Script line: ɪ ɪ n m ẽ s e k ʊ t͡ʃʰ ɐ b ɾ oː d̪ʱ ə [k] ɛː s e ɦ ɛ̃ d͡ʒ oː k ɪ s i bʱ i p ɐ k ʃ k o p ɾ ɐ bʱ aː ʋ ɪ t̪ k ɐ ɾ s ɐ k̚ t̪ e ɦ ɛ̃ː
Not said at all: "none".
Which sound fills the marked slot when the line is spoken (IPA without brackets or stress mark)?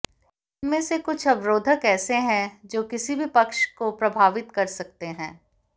k